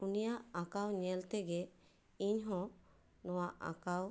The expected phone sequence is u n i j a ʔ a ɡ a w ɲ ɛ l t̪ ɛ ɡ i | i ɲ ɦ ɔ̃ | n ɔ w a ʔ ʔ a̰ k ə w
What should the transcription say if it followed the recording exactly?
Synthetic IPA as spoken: u n i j a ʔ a k a w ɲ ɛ l t̪ ɛ ɡ ɛ | i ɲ ɦ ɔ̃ | n ɔ w a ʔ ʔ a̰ k a w